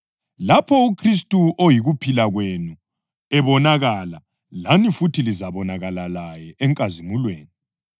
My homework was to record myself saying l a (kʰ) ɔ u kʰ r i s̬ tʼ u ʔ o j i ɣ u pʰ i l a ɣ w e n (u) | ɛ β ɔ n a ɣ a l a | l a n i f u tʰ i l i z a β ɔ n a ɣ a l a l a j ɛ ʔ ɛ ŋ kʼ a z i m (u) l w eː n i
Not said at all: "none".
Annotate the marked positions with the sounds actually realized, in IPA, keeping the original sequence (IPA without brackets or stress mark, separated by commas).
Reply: pʰ, u, u